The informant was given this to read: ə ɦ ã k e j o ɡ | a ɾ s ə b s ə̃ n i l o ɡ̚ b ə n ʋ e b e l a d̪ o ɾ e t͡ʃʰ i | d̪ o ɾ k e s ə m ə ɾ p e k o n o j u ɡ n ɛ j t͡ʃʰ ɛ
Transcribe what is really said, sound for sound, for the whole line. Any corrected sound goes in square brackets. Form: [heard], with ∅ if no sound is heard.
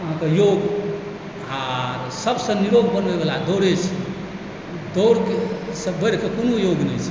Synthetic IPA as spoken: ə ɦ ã k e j o ɡ | a ɾ s ə b s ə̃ n i [ɾ] o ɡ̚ b ə n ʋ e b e l a d̪ o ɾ e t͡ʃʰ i | d̪ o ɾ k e s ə [b] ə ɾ [k] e k o n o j [o] ɡ n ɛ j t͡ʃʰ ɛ